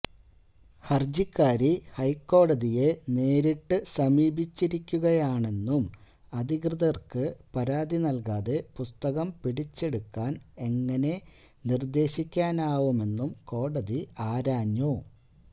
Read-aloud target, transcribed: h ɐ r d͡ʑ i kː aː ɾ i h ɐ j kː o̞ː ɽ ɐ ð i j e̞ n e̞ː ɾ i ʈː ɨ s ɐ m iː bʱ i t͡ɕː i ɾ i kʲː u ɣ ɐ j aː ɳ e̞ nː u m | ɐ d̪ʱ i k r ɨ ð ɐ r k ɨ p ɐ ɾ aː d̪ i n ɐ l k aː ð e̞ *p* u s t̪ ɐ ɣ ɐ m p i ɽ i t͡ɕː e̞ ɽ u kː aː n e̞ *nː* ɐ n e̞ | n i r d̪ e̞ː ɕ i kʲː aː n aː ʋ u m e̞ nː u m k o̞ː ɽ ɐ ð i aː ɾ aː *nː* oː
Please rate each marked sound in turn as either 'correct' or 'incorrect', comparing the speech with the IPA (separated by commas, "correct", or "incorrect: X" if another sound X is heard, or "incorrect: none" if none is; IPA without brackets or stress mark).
correct, incorrect: ŋː, incorrect: ɲː